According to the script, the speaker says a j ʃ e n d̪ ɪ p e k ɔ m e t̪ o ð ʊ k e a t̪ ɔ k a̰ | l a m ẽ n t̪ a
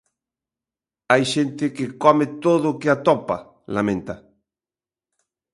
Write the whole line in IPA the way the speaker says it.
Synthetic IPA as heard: a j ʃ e n t̪ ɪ k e k ɔ m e t̪ o ð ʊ k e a t̪ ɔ p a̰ | l a m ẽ n t̪ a